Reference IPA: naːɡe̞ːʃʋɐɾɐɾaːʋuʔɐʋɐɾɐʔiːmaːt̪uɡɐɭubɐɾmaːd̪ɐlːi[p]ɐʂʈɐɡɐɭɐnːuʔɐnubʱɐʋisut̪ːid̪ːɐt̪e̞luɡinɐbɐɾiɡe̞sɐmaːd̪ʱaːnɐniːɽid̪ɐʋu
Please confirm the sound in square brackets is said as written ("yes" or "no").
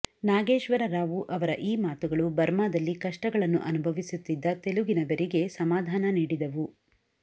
no